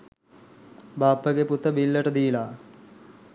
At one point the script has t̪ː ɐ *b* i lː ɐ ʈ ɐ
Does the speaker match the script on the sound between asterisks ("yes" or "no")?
yes